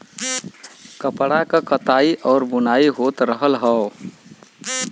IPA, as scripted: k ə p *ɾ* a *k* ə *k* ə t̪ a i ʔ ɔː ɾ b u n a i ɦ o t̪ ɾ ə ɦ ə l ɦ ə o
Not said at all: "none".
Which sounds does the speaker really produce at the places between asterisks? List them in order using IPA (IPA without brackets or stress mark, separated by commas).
ɽ, k, k